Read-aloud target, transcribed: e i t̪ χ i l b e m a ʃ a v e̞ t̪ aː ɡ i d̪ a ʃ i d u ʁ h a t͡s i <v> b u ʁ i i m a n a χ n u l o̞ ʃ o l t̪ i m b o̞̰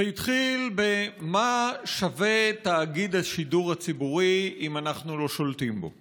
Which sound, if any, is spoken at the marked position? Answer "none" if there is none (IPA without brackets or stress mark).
none